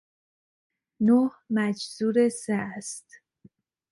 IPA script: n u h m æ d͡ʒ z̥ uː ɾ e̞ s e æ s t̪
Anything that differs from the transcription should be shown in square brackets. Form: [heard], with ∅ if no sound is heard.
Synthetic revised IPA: n [o] h m æ d͡ʒ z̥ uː ɾ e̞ s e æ s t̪